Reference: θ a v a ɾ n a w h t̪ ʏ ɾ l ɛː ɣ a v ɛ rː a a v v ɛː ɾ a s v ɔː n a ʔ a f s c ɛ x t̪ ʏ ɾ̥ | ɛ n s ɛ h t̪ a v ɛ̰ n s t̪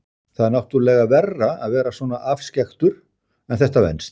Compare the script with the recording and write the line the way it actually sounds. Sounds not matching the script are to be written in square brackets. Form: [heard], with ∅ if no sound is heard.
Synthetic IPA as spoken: θ a [ð] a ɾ n a w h t̪ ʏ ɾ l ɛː ɣ a v ɛ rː a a [ð] v ɛː ɾ a s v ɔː n a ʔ a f s c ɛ x t̪ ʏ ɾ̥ | ɛ n [θ] ɛ h t̪ a v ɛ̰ n s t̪